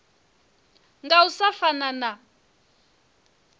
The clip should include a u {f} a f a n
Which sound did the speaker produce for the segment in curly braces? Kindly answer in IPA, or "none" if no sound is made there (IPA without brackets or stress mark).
s